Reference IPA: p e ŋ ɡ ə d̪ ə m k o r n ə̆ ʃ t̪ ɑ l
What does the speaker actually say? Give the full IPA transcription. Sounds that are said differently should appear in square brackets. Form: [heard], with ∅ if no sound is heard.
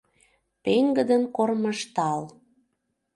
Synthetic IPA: p e ŋ ɡ ə d̪ ə [n] k o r [m] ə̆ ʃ t̪ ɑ l